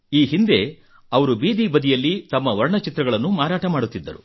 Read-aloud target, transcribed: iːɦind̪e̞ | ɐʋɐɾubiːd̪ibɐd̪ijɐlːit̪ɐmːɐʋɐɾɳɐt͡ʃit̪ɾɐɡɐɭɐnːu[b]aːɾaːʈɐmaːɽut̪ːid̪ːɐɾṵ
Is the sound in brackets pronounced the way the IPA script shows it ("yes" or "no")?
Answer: no